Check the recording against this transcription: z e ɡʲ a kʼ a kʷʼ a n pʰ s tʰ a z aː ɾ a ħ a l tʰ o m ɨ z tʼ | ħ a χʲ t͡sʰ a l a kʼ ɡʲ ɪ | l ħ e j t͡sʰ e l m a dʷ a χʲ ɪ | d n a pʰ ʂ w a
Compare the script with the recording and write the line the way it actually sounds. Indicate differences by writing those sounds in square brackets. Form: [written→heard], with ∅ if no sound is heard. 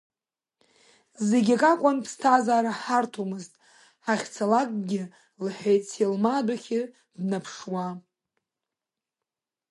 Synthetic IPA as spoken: z e ɡʲ a kʼ a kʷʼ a n pʰ s tʰ a z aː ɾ a ħ a [l→r] tʰ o m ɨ z tʼ | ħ a χʲ t͡sʰ a l a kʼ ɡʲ ɪ | l ħ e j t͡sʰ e l m a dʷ a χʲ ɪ | d n a pʰ ʂ w a